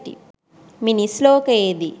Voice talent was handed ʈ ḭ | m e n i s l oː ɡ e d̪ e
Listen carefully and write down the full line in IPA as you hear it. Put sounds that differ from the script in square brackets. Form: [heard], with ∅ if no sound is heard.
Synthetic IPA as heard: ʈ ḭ | m [i] n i s l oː [k] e d̪ [i]